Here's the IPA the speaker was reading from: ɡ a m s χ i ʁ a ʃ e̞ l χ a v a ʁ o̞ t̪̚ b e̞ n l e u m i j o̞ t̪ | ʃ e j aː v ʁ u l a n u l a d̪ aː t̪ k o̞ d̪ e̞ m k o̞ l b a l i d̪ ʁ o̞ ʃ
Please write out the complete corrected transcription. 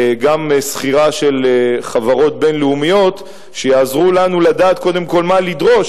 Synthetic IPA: ɡ a m s χ i ʁ a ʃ e̞ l χ a v a ʁ o̞ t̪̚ b e̞ n l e u m i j o̞ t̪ | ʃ e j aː z ʁ u l a n u l a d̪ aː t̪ k o̞ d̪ e̞ m k o̞ l m a l i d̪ ʁ o̞ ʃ